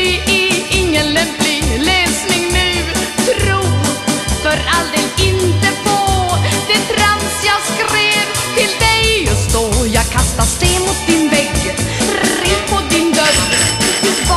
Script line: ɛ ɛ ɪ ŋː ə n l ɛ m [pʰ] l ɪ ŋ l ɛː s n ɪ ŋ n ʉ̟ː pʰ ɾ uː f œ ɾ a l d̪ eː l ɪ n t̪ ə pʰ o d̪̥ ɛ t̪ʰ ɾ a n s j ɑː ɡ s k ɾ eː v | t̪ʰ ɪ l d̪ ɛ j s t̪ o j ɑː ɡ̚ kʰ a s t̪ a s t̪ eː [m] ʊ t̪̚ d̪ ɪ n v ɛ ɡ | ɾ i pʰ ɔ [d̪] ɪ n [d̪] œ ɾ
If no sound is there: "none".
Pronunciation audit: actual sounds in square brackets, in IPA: p, m, d̪, d̪

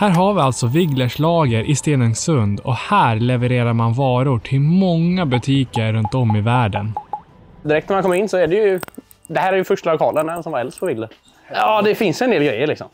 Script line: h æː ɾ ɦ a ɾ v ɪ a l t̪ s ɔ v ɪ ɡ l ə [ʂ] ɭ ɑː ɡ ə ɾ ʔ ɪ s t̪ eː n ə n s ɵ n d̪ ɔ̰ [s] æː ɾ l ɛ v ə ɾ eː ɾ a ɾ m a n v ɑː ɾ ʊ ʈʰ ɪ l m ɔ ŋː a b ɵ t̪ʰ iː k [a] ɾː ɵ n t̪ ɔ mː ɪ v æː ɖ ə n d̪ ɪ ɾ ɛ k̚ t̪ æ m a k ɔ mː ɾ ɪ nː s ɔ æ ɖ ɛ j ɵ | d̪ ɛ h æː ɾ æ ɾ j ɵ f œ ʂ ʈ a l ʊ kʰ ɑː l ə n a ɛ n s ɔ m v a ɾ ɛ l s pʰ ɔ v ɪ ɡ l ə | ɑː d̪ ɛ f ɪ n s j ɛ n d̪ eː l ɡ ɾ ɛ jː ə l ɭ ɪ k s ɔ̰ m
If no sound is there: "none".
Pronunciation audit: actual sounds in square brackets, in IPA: ʂ, h, ə

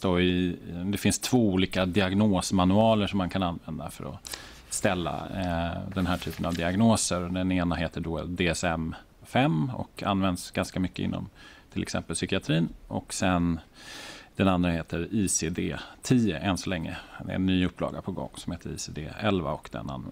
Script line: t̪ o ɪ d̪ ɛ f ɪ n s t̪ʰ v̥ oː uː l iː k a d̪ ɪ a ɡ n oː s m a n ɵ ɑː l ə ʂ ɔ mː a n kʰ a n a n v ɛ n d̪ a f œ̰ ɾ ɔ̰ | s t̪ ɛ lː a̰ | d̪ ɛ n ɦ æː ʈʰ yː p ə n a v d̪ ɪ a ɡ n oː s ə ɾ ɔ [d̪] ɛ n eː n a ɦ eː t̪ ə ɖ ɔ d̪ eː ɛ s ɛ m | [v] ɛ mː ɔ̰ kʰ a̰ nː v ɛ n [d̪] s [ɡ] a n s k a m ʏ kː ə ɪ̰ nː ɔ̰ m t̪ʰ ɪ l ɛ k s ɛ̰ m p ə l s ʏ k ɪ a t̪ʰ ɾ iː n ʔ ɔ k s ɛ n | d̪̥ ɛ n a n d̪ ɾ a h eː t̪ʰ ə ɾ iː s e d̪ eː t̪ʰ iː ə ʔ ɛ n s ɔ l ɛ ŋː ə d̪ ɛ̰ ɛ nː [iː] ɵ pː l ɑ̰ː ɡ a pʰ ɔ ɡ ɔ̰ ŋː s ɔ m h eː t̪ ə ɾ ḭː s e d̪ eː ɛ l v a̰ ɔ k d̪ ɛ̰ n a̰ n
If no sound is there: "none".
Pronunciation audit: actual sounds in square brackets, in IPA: d̪, f, d̪, ɡ, yː

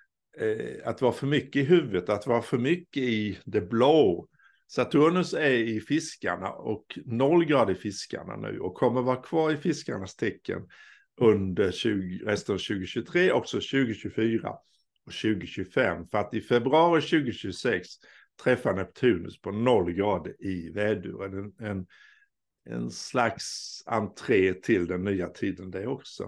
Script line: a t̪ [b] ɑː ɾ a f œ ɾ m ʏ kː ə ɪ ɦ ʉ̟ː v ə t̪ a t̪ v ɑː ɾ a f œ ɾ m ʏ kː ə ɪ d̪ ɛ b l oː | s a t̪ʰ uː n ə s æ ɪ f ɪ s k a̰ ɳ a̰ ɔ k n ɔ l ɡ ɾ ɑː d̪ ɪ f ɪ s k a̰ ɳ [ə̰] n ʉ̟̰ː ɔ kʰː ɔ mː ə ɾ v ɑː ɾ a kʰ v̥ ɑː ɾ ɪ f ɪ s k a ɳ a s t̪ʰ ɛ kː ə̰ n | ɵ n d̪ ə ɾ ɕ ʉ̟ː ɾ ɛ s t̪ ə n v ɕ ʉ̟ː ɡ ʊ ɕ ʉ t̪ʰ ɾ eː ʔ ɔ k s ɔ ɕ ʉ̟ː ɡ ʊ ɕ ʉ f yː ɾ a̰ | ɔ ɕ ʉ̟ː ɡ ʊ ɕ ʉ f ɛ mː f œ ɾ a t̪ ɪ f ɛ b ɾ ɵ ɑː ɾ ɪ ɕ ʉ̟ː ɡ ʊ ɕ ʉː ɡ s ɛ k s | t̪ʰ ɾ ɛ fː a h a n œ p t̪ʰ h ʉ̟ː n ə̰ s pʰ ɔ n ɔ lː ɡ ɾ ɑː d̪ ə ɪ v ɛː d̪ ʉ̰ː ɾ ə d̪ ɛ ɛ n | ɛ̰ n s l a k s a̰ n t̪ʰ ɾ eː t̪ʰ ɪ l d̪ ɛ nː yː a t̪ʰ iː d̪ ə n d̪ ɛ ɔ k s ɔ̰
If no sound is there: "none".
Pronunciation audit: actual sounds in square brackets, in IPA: v, a̰

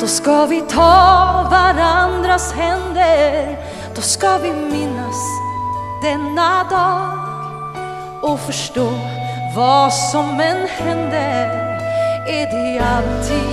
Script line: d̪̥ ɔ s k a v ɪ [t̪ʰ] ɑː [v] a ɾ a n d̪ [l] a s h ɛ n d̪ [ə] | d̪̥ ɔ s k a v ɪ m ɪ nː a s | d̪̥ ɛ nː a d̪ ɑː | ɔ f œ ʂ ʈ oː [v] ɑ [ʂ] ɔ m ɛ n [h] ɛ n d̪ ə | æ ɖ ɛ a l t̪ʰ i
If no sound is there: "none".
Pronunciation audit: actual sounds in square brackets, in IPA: t̪ʰ, v, ɾ, ə, v, s, h

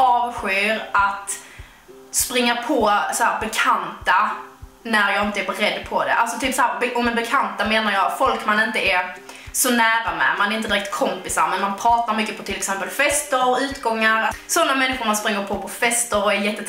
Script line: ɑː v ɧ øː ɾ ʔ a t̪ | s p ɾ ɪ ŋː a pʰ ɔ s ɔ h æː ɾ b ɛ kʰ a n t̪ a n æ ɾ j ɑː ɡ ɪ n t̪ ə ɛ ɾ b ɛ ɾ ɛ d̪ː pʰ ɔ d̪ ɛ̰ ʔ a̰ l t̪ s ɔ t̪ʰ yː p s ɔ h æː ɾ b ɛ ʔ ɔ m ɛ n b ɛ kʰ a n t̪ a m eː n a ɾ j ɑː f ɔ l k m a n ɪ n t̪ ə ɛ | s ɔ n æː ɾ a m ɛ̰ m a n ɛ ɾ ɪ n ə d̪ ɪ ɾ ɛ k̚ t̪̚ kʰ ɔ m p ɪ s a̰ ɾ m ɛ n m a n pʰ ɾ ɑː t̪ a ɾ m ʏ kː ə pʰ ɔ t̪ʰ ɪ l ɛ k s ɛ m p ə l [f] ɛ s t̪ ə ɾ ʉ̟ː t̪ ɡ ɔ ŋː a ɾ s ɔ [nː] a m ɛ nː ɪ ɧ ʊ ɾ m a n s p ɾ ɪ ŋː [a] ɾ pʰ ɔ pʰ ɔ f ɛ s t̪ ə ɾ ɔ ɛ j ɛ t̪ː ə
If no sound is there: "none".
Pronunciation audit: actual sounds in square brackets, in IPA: f, nː, ə

